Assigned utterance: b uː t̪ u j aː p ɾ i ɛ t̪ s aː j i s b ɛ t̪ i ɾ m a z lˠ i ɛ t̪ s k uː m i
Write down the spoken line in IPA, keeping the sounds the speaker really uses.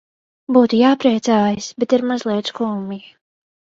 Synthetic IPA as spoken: b uː t̪ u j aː p ɾ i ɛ t̪ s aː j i s b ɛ t̪ i ɾ m a z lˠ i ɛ t̪ s k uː m i